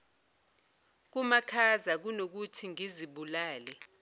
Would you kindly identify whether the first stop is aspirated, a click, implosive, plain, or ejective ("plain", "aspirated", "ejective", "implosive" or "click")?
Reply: plain